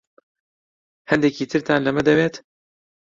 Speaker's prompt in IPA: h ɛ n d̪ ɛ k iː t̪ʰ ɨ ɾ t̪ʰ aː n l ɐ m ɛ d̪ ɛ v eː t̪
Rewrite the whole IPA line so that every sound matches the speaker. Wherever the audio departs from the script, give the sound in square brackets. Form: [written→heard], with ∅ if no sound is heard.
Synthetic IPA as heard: h ɛ n d̪ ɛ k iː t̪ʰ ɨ ɾ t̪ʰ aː n l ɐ m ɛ d̪ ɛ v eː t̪